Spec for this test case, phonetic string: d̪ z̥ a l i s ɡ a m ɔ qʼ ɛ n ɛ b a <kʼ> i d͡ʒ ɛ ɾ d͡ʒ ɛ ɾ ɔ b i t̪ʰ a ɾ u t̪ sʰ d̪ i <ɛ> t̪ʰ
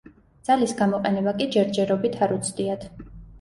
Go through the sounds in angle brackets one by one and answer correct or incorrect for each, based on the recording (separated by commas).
correct, incorrect